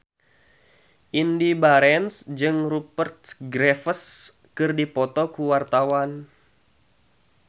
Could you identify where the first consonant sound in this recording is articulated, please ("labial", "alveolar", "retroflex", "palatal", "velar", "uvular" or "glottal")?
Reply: glottal